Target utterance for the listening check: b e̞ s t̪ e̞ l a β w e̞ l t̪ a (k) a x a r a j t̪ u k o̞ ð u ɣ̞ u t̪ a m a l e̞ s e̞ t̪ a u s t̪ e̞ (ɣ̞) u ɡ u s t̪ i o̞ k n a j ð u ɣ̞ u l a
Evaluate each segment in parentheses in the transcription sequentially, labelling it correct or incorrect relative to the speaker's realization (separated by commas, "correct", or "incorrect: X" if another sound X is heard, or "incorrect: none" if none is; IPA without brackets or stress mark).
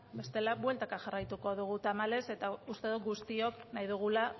correct, incorrect: ð̞